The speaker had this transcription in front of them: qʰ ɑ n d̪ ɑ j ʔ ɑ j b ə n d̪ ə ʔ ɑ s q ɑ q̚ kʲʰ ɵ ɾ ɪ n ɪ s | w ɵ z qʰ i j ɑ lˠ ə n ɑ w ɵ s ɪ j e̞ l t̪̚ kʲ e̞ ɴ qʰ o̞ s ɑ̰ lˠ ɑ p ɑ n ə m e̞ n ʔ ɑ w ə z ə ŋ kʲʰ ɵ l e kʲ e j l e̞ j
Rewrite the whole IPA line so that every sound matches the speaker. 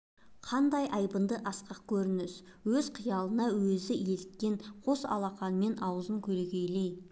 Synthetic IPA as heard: qʰ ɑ n d̪ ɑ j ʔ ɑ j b ə n d̪ ə ʔ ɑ s q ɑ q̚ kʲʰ ɵ ɾ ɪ n ɪ s | w ɵ z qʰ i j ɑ lˠ ə n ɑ w ɵ z ɪ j e̞ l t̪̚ kʲ e̞ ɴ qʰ o̞ s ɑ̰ lˠ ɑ q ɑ n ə m e̞ n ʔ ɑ w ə z ə ŋ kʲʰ ɵ l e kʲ e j l e̞ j